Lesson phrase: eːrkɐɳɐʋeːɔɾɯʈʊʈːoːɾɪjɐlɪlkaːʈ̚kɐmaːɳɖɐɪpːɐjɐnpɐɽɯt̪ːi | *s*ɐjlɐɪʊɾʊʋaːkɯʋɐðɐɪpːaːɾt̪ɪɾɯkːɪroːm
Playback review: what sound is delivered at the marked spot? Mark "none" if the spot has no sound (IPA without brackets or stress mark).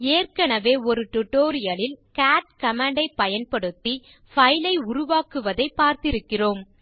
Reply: f